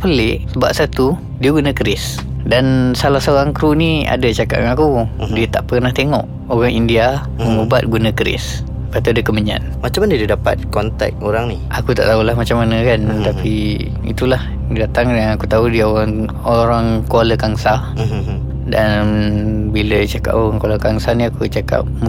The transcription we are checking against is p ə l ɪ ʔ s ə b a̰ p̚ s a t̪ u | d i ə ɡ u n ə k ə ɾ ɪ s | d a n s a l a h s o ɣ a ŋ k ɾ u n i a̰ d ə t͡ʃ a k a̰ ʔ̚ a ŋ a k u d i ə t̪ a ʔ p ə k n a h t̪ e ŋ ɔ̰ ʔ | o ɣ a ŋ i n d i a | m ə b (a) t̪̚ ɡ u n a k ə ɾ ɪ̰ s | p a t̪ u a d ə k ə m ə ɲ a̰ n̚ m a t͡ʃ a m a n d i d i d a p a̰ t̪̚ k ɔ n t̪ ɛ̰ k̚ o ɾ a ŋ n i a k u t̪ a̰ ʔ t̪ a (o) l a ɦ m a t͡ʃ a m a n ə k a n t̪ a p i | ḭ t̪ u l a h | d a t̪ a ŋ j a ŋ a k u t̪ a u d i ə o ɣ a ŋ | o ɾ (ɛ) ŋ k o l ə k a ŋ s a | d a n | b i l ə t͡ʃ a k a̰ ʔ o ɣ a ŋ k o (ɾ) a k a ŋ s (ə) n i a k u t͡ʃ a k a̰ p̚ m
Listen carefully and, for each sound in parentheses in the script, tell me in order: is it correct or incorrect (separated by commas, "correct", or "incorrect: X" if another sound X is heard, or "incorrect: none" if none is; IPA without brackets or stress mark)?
correct, incorrect: u, incorrect: a, incorrect: l, incorrect: a